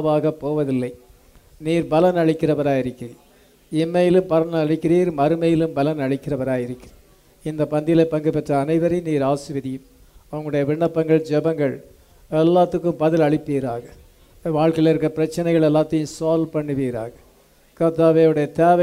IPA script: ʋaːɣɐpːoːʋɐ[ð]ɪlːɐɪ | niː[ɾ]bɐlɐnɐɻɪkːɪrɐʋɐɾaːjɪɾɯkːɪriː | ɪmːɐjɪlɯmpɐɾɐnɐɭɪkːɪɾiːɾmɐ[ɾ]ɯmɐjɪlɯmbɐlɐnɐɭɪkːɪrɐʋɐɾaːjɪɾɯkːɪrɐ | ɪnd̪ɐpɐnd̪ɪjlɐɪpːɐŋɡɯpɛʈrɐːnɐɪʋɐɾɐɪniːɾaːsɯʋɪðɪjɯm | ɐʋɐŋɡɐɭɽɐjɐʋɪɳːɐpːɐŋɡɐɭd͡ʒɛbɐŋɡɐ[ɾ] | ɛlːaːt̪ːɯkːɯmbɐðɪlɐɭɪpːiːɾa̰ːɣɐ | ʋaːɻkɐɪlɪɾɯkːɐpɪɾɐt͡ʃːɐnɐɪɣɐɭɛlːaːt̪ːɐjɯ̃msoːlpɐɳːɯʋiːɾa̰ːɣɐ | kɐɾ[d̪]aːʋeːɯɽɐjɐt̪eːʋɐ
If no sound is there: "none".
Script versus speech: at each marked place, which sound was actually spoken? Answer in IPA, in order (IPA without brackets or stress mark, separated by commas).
ð, ɾ, ɾ, ɭ, t̪